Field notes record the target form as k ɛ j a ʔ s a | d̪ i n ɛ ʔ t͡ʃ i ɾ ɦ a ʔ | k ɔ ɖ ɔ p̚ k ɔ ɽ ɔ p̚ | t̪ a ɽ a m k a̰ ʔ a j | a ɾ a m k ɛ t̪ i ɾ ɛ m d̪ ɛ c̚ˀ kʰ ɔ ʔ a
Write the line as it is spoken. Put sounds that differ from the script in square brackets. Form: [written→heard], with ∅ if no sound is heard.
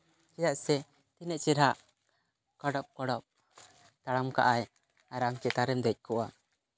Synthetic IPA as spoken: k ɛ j a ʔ s [a→ɛ] | [d̪→t̪] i n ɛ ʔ t͡ʃ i ɾ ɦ a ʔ | k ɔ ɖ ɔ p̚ k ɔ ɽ ɔ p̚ | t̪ a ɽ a m k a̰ ʔ a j | a ɾ a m k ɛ t̪ [i→a] ɾ ɛ m d̪ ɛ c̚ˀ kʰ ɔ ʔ a